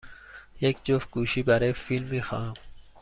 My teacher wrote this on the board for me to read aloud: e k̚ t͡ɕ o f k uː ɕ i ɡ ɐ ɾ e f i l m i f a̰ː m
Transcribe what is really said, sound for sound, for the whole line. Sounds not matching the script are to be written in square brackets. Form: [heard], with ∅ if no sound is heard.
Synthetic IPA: e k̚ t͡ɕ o f k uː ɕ i [b] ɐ ɾ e f i l m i [x] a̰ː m